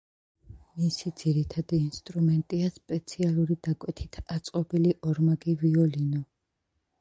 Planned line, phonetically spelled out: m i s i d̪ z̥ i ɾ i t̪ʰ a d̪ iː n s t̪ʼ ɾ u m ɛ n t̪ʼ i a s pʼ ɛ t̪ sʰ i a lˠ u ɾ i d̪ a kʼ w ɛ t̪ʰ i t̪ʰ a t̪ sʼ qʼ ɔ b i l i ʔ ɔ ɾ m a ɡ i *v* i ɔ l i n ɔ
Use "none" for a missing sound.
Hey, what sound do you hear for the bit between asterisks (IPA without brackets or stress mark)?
v